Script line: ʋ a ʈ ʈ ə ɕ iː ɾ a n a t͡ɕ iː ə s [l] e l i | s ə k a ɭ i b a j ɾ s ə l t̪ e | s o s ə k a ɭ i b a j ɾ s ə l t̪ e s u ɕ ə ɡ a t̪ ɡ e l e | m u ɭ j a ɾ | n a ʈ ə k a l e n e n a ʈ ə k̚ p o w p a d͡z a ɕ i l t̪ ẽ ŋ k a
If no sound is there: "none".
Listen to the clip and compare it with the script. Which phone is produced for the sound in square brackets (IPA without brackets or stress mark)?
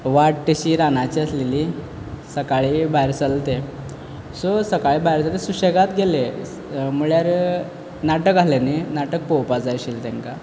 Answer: l